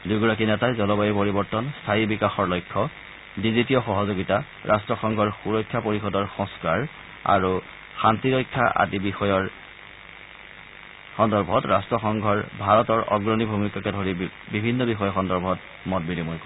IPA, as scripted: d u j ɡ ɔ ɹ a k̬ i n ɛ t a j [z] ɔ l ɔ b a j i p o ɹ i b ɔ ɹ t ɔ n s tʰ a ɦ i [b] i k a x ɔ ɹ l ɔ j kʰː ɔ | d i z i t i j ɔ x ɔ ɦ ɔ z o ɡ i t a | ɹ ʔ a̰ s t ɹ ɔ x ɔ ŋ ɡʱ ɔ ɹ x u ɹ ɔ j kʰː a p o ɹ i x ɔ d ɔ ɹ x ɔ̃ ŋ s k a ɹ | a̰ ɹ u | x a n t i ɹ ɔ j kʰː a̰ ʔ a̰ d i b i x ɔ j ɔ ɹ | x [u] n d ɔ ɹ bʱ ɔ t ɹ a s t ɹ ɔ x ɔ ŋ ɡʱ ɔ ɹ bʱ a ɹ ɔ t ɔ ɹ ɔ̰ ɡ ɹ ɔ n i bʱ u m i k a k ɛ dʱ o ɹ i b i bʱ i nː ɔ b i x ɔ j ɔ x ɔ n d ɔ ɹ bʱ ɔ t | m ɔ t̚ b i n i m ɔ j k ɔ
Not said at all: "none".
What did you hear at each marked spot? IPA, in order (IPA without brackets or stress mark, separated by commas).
z, b, ɔ